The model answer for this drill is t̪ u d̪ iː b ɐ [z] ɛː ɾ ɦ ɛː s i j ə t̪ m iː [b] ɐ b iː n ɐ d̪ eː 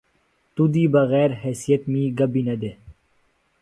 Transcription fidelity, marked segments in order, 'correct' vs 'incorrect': incorrect: ɣ, incorrect: ɡ

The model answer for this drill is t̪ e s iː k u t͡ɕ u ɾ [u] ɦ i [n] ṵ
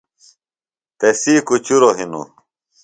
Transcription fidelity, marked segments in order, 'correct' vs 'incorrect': incorrect: o, correct

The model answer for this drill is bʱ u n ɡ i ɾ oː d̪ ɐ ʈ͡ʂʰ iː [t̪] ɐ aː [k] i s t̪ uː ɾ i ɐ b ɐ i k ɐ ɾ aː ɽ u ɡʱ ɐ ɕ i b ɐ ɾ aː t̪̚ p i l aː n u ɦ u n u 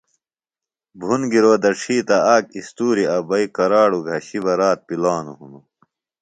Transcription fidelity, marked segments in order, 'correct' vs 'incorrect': correct, correct

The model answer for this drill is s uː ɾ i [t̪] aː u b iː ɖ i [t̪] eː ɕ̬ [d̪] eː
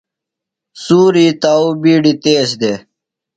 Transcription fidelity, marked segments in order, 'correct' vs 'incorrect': correct, correct, correct

